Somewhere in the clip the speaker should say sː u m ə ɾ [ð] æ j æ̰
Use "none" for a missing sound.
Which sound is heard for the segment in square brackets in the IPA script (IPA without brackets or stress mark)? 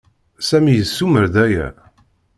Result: ð